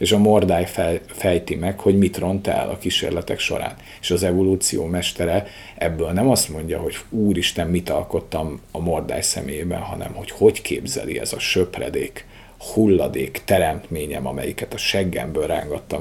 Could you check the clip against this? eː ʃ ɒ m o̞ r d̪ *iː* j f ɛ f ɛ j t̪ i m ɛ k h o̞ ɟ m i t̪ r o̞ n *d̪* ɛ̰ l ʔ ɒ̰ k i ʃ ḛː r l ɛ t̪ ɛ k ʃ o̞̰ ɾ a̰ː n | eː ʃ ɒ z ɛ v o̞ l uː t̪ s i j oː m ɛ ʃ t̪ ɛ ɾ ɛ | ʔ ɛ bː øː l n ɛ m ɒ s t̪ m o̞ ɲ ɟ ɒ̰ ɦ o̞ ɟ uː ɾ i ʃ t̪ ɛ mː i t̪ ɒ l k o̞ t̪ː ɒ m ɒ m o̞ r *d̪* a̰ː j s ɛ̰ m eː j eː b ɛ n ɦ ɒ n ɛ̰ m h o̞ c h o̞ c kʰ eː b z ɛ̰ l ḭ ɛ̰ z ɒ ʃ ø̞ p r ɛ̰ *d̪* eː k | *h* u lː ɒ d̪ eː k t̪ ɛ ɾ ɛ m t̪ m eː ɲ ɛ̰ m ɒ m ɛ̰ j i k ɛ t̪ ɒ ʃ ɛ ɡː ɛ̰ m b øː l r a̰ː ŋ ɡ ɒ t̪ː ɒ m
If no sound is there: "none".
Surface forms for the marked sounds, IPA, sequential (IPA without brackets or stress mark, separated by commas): aː, t̪, d̪, d̪, h